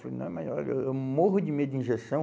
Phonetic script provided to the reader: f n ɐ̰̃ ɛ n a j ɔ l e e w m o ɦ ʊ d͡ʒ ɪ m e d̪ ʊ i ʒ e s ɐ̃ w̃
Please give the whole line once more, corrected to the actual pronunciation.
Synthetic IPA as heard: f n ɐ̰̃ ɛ m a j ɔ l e e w m o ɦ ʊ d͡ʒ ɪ m e d̪ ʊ ĩ ʒ e s ɐ̃ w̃